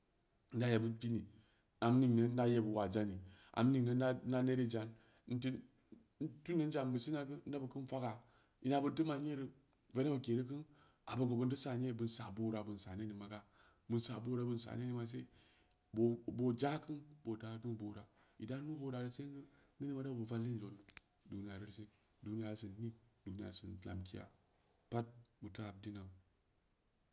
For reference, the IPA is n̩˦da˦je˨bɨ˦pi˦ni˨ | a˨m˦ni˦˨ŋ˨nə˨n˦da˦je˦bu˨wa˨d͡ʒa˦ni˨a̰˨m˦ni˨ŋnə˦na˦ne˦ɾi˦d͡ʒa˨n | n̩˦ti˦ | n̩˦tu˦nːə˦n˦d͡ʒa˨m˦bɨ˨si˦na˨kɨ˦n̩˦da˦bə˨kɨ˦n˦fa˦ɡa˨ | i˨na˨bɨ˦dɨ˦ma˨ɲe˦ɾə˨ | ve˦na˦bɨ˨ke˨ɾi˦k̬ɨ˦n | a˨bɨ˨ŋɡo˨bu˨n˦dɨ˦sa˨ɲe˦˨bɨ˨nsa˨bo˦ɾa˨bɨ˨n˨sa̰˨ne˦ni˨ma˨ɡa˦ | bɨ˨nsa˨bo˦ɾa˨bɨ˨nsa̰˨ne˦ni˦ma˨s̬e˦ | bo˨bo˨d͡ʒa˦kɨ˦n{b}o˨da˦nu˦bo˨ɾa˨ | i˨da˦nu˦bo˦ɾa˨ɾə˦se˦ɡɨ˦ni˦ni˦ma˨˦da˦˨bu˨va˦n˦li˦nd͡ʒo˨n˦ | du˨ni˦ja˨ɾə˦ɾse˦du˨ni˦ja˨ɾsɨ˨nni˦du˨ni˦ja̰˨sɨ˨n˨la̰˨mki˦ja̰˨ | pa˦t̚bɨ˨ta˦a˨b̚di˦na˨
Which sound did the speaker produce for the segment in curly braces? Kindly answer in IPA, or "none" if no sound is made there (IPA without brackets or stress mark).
b